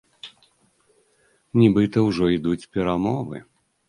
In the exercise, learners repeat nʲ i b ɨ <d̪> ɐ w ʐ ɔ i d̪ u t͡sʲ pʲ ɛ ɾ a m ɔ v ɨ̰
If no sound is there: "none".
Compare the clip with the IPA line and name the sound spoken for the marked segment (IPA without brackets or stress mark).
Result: t̪